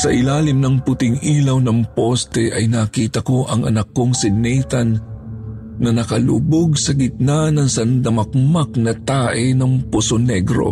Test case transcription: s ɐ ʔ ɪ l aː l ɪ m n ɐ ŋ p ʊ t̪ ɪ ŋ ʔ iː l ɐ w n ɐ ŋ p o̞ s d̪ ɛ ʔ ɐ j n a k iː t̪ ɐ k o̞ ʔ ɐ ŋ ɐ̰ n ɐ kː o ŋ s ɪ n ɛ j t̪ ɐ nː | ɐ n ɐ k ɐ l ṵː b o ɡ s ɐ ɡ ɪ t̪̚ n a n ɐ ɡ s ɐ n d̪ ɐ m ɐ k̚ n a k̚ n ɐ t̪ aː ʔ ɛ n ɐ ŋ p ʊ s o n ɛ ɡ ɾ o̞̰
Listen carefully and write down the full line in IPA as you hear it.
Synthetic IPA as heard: s ɐ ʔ ɪ l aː l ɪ m n ɐ ŋ p ʊ t̪ ɪ ŋ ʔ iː l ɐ w n ɐ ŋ p o̞ s t̪ ɛ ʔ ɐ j n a k iː t̪ ɐ k o̞ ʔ ɐ ŋ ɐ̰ n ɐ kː o ŋ s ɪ n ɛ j t̪ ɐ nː | ɐ n ɐ k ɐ l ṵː b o ɡ s ɐ ɡ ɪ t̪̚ n a n ɐ ŋ s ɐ n d̪ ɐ m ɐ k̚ m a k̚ n ɐ t̪ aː ʔ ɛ n ɐ ŋ p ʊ s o n ɛ ɡ ɾ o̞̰